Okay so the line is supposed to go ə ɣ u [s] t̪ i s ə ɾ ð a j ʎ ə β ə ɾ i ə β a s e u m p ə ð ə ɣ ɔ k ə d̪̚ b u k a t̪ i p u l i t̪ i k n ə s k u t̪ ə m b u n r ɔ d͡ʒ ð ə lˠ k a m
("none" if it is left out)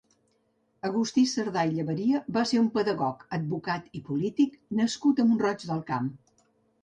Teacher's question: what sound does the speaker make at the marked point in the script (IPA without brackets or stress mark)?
s